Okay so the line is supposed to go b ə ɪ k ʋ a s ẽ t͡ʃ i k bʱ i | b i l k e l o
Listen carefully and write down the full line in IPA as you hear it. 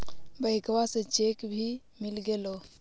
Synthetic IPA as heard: b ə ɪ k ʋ a s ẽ t͡ʃ e k bʱ i | m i l ɡ e l o